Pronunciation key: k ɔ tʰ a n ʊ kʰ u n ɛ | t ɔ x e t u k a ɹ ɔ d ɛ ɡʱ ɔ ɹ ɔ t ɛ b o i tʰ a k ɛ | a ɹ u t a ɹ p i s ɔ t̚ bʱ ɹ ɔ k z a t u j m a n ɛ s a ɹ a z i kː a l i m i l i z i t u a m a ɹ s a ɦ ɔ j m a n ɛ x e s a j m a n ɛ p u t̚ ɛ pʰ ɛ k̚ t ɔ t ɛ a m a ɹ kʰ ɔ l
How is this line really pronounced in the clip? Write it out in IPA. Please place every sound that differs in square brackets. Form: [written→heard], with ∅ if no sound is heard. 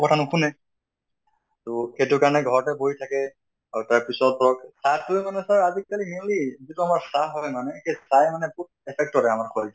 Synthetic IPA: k ɔ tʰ a n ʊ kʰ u n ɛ | t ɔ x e t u k a ɹ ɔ [d→n] ɛ ɡʱ ɔ ɹ ɔ t ɛ b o i tʰ a k ɛ | a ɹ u t a ɹ p i s ɔ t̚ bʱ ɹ ɔ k [z→s] a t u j m a n ɛ s a ɹ a z i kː a l i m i l i z i t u a m a ɹ s a ɦ ɔ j m a n ɛ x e s a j m a n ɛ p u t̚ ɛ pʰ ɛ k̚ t ɔ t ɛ a m a ɹ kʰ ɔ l